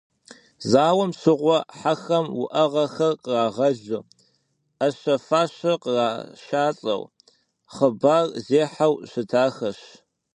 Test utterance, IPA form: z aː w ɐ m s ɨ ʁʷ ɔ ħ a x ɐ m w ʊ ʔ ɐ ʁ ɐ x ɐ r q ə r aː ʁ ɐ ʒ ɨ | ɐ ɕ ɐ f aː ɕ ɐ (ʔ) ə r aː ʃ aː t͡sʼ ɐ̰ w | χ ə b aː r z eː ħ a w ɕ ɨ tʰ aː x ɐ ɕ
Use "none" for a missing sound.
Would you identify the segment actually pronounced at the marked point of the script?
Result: q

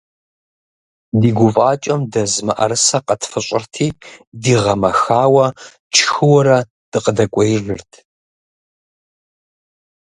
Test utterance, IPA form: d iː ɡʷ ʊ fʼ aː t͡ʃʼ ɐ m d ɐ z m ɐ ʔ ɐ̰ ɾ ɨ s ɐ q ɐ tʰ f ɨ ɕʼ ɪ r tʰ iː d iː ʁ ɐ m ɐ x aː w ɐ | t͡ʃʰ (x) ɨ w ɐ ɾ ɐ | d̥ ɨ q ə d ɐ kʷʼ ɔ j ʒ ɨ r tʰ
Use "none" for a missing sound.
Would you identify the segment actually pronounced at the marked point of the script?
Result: x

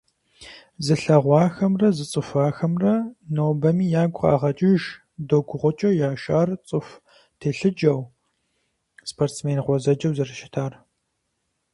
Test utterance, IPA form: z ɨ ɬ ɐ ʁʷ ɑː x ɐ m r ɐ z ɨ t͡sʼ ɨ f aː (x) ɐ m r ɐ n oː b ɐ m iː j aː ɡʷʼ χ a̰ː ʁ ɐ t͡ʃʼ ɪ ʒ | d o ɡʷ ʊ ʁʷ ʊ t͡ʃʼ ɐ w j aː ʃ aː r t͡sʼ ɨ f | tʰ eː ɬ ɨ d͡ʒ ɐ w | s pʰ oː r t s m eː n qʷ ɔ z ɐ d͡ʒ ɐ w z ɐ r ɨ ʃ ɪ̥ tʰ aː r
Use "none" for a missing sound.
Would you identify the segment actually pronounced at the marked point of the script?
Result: x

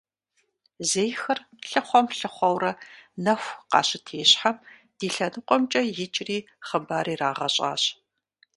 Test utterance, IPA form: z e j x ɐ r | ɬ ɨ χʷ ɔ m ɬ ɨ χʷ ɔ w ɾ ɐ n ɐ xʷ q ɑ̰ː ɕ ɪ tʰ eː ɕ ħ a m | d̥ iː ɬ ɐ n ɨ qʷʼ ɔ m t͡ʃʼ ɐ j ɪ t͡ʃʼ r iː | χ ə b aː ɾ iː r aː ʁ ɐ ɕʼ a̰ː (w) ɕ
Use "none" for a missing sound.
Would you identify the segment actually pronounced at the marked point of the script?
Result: none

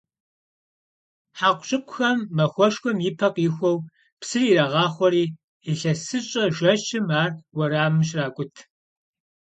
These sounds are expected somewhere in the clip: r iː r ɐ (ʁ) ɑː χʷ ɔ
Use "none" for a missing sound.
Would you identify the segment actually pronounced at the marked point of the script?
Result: ʁ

